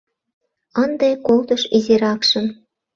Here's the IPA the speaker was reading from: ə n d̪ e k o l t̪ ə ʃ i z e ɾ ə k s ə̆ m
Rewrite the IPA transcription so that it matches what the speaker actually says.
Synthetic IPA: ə n d̪ e k o l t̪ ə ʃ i z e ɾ ɑ k ʃ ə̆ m